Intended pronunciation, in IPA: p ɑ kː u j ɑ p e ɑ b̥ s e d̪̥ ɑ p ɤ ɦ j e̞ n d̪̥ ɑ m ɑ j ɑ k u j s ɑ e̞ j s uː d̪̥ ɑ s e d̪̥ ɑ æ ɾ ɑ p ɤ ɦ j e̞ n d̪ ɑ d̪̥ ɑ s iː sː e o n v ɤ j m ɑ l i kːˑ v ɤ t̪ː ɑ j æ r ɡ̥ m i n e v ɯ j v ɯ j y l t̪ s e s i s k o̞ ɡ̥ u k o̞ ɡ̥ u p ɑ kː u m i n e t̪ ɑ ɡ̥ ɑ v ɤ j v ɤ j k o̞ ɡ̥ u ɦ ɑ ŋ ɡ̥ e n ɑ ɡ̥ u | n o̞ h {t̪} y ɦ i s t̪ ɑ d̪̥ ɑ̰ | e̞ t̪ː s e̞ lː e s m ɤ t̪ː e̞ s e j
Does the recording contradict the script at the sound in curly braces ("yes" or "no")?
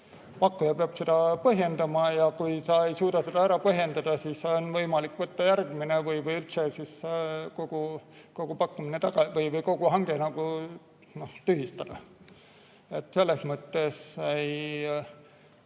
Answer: no